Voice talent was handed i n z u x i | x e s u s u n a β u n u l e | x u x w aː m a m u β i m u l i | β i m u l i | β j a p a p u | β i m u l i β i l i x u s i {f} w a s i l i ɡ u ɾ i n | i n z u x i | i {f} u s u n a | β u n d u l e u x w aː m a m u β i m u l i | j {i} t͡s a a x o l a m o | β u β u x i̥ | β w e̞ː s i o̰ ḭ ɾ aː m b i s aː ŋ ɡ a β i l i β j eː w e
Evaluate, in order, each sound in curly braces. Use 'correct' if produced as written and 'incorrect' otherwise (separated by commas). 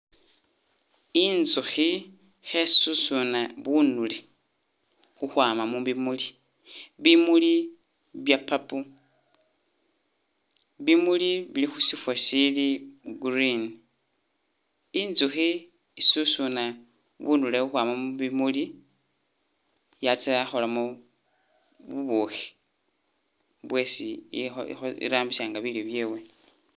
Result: correct, incorrect, incorrect